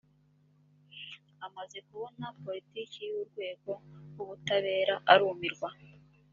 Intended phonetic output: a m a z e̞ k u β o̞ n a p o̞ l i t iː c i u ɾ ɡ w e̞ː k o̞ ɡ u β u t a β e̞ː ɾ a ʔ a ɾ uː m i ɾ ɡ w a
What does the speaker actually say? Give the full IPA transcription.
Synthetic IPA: a m a z e̞ k u β o̞ n a p o̞ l i t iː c i u ɾ ɡ w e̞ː ɡ o̞ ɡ u β u t a β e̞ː ɾ a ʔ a ɾ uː m i ɾ ɡ w a